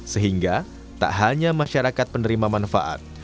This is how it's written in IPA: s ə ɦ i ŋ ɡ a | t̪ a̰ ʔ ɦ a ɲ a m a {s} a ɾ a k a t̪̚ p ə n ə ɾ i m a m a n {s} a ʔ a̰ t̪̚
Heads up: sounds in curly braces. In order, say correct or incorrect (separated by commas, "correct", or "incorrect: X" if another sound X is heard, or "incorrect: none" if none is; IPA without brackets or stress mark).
incorrect: ʃ, incorrect: f